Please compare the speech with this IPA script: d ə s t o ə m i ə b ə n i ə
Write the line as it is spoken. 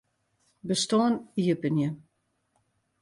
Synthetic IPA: b ə s t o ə n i ə p ə n j ə